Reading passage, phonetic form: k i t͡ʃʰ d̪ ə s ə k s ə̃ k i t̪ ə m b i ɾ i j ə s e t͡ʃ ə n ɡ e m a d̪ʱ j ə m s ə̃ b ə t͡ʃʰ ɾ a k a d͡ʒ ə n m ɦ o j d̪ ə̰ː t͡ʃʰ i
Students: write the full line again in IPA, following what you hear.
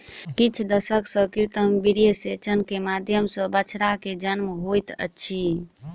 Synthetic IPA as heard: k i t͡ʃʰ d̪ ə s ə k s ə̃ k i t̪ ə m b i ɾ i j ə s e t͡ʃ ə n k e m a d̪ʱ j ə m s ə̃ b ə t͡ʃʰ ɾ a k e d͡ʒ ə n m ɦ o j t̪ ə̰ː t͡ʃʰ i